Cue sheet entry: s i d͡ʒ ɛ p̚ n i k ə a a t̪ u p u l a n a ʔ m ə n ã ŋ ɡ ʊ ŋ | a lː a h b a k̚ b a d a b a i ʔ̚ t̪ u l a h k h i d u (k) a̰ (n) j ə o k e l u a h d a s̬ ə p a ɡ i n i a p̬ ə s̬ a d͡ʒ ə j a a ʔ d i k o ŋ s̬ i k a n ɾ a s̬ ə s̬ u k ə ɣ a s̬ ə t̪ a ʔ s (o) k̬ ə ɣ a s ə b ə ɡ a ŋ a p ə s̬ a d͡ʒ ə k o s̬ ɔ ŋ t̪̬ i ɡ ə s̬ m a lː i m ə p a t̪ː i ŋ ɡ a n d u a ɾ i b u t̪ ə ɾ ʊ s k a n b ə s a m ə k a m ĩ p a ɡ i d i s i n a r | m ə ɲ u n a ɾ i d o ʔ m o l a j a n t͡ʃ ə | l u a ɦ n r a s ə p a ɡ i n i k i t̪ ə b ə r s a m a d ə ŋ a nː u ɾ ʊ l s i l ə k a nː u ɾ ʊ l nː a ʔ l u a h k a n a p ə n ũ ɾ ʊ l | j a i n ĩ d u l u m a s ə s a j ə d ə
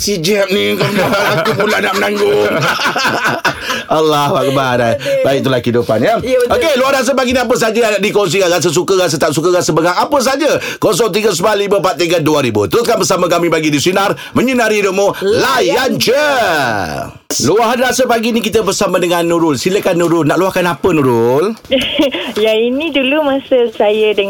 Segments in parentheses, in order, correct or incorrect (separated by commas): incorrect, correct, incorrect